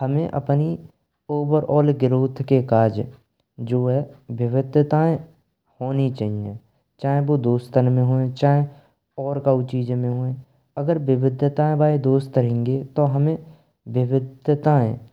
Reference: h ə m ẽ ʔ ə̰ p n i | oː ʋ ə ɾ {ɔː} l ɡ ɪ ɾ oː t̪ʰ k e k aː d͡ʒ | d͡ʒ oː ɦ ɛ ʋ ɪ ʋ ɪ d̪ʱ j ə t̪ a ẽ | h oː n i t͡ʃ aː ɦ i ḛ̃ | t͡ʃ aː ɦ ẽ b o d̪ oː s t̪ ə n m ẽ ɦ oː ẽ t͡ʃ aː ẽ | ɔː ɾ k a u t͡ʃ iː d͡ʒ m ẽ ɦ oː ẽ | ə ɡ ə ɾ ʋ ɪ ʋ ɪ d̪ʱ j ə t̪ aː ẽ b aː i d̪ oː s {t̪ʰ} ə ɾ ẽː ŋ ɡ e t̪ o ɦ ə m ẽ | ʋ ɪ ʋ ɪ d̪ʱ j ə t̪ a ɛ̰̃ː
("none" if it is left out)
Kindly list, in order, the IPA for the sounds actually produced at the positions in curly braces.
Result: ɔː, t̪

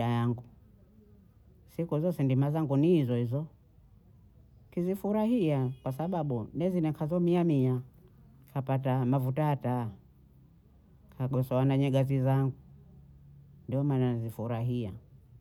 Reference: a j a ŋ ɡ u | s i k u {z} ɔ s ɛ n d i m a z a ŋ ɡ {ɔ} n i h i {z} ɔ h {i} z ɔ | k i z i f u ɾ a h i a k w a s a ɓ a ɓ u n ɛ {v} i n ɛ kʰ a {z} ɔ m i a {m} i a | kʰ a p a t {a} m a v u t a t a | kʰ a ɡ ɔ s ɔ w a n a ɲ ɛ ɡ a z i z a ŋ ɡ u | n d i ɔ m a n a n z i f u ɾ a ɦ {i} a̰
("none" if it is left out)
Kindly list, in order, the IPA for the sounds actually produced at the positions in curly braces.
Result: z, u, z, i, z, z, m, a, i

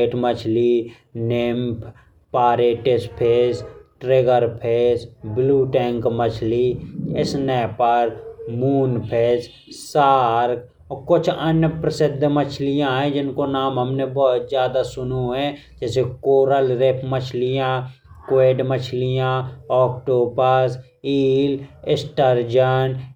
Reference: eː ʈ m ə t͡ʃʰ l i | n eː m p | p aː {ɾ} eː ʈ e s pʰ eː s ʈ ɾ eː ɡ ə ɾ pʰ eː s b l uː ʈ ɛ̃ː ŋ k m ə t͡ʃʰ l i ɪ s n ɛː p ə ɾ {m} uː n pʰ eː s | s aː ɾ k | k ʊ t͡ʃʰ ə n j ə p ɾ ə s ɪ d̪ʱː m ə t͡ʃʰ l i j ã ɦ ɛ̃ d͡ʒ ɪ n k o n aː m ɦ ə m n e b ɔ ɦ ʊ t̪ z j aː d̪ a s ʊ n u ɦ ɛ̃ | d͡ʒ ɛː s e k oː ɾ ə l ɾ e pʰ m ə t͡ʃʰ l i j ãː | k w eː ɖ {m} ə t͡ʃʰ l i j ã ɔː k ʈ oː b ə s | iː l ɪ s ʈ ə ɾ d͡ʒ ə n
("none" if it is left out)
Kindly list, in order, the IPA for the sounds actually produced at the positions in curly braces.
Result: ɾ, m, m

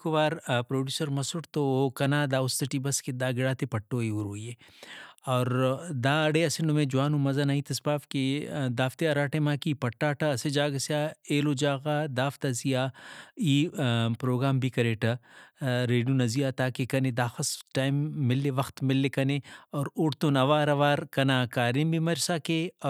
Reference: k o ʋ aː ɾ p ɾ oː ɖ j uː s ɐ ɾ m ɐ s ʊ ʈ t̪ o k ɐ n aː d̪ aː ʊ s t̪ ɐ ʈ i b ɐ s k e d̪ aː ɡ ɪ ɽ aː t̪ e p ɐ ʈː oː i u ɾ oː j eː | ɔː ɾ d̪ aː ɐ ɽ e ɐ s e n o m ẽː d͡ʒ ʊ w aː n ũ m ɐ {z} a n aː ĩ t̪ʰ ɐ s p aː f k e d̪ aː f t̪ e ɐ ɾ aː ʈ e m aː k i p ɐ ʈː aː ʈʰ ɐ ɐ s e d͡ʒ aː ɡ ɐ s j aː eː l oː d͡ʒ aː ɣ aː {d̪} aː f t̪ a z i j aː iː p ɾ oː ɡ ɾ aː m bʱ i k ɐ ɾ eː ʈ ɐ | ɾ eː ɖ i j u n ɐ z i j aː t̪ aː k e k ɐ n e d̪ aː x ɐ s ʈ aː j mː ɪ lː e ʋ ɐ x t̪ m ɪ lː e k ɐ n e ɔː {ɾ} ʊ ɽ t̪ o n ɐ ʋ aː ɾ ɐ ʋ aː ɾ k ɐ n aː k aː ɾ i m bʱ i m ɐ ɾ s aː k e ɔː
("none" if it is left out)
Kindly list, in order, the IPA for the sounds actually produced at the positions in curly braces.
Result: z, d̪, ɾ

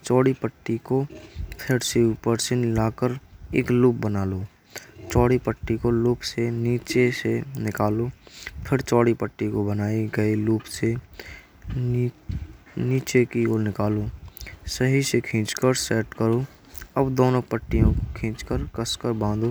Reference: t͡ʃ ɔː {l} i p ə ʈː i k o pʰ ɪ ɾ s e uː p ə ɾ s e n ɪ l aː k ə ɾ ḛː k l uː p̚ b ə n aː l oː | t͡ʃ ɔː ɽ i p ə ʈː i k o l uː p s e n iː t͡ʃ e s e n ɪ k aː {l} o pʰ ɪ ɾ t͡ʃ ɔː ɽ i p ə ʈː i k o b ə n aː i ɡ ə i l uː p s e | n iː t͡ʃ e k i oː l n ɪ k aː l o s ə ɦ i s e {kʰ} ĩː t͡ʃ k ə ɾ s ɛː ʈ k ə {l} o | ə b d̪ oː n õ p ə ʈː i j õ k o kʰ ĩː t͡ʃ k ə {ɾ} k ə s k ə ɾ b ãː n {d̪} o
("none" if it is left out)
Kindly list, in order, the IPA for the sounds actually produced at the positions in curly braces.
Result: ɽ, l, kʰ, ɾ, ɾ, d̪

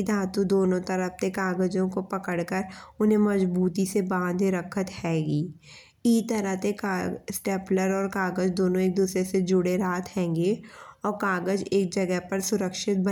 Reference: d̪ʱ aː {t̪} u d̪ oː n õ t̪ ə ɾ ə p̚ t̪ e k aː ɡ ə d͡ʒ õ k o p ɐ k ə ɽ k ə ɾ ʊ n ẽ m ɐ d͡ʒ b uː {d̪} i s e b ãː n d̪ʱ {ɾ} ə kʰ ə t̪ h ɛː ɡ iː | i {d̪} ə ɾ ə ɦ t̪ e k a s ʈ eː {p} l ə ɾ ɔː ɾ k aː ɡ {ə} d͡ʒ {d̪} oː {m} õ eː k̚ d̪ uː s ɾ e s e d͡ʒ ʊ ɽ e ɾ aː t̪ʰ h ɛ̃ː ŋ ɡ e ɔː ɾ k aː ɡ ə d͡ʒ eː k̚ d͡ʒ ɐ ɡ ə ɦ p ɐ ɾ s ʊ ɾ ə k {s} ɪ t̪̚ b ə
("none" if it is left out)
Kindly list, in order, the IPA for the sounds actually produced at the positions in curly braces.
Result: t̪, t̪, ɾ, t̪, p, ə, d̪, n, ʃ

